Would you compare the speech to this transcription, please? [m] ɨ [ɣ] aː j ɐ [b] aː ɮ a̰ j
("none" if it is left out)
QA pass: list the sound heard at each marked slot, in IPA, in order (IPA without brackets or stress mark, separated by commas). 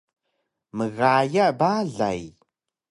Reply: m, ɣ, b